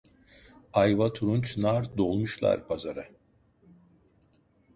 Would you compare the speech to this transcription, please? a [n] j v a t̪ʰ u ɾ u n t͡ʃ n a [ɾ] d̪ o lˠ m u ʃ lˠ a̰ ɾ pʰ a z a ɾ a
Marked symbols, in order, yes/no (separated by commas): no, yes